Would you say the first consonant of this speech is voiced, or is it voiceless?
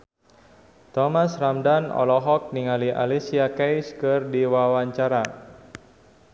voiceless